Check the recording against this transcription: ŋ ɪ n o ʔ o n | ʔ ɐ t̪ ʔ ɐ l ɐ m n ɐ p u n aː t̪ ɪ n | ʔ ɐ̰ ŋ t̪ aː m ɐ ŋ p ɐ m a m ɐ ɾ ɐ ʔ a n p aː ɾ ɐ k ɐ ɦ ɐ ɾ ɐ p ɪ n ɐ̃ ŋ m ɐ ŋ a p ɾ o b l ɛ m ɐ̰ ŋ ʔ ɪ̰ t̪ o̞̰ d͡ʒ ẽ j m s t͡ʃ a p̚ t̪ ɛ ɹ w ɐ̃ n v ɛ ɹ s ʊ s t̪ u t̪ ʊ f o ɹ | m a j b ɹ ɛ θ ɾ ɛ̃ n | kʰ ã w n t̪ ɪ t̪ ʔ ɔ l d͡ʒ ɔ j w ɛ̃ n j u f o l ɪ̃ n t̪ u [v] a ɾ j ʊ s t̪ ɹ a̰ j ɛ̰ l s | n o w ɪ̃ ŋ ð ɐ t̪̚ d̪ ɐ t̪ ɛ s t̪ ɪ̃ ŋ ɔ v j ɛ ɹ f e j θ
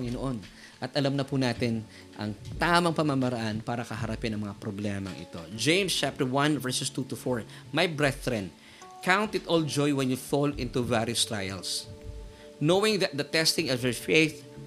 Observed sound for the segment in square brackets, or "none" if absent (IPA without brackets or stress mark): v